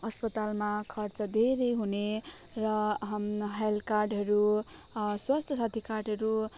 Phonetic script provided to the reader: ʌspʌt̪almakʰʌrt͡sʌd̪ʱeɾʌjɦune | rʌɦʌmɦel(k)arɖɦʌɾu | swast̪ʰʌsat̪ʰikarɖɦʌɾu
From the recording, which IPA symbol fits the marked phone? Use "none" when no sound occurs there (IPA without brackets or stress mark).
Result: k